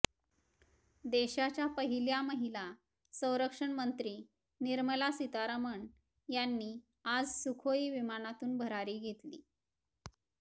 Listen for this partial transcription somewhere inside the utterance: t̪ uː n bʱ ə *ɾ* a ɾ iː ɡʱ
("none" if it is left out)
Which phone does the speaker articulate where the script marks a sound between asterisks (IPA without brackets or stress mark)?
ɾ